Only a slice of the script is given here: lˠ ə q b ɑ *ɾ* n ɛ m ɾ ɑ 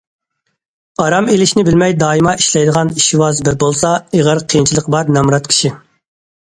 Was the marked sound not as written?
no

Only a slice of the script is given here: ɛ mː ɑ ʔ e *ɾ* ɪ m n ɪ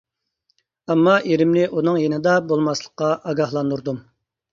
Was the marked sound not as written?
no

